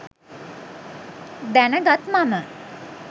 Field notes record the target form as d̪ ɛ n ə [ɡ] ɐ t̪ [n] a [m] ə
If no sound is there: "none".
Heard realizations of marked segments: ɡ, m, m

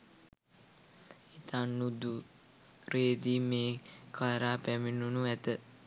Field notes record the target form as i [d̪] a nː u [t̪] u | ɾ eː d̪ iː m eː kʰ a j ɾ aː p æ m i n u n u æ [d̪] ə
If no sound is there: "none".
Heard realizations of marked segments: t̪, d̪, t̪

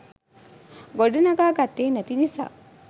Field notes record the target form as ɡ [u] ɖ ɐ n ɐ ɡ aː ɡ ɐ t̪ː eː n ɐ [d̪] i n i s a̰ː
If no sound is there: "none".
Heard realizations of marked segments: o, t̪

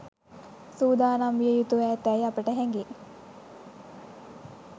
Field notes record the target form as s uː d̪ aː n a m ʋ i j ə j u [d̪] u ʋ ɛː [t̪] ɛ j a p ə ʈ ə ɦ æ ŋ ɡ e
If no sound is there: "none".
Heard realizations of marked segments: t̪, t̪

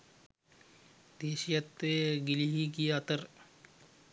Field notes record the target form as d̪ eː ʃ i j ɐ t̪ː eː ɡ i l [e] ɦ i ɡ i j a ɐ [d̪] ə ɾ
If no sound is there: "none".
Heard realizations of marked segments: i, t̪

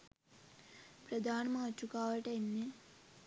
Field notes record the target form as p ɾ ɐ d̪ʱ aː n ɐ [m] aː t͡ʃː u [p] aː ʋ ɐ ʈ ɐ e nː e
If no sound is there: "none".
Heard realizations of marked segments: m, k

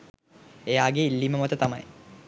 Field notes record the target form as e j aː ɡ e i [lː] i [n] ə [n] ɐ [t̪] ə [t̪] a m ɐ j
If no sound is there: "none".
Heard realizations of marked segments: lː, m, m, t̪, t̪

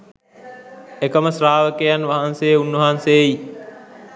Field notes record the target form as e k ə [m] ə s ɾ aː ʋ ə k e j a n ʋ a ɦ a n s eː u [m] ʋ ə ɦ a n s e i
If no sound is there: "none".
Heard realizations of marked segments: m, n

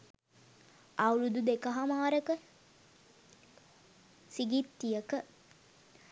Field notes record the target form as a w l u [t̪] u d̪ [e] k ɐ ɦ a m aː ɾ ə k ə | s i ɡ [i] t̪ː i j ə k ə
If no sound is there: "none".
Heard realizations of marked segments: d̪, e, i

